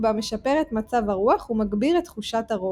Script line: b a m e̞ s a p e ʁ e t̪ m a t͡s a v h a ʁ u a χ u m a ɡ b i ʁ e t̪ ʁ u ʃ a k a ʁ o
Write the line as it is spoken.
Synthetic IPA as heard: b a m e̞ ʃ a p e ʁ e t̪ m a t͡s a v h a ʁ u a χ u m a ɡ b i ʁ e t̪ χ u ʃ a t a ʁ o